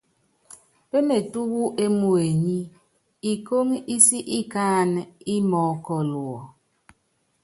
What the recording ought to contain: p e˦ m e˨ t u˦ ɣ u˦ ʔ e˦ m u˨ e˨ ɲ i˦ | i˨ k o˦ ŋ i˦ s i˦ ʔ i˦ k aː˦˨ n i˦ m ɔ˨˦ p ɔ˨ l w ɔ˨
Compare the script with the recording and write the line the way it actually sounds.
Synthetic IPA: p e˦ m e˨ t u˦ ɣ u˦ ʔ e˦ m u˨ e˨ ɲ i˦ | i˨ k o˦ ŋ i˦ s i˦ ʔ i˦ k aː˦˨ n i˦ m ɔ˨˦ k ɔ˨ l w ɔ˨